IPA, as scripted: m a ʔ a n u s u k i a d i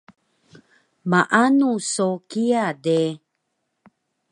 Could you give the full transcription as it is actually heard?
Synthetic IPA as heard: m a ʔ a n u s o k i a d e

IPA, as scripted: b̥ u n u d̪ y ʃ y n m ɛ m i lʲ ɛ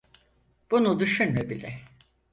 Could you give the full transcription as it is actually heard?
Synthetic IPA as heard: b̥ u n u d̪ y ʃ y n m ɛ b i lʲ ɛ

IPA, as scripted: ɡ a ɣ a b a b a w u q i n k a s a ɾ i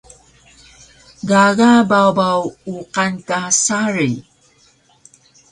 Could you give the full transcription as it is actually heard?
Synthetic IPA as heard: ɡ a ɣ a b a b a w u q a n k a s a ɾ i

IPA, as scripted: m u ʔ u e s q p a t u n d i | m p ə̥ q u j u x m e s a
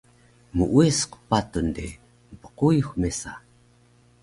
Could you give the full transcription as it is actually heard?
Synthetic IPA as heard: m u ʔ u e s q p a t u n d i | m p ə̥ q u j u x m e s a

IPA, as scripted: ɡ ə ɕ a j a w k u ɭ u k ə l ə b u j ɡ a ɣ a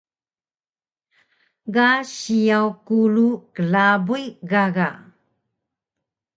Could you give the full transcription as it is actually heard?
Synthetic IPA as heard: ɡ a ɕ i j a w k u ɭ u k ə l a b u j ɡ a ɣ a

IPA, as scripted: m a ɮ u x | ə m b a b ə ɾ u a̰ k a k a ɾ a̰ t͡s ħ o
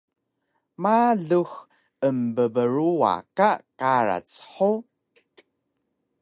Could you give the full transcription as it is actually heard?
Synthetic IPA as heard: m a ɮ u x | ə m b ə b ə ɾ u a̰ k a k a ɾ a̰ t͡s ħ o

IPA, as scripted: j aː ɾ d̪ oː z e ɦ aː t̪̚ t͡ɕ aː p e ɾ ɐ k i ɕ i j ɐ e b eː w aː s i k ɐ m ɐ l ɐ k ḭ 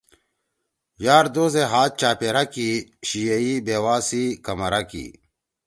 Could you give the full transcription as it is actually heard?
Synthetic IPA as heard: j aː ɾ d̪ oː z e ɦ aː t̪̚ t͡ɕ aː p e ɾ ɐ k i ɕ i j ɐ i b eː w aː s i k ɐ m ɐ ɾ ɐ k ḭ

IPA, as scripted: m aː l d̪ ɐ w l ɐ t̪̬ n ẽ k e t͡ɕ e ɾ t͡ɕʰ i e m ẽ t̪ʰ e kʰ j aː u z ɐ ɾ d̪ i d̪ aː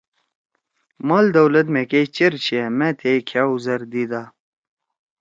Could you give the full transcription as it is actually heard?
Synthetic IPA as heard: m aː l d̪ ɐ w l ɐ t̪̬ m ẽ k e t͡ɕ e ɾ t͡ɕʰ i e m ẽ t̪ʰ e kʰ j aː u z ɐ ɾ d̪ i d̪ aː

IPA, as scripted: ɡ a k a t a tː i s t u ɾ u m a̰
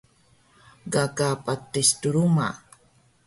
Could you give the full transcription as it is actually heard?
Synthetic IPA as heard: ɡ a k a p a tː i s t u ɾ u m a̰

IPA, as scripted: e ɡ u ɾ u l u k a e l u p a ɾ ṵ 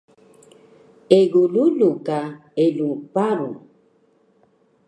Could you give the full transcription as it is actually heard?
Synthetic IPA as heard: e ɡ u l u l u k a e l u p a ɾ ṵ

